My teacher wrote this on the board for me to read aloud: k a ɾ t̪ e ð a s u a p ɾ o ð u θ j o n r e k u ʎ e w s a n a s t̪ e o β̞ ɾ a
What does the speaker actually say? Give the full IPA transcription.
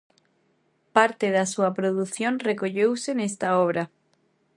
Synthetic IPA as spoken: p a ɾ t̪ e ð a s u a p ɾ o ð u θ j o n r e k o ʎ e w s e n e s t̪ a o β̞ ɾ a